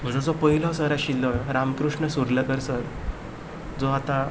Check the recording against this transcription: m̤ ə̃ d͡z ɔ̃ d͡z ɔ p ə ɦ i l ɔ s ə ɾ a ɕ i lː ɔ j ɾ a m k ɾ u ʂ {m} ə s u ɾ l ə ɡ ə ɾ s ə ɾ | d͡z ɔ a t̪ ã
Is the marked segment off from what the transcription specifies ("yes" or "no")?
yes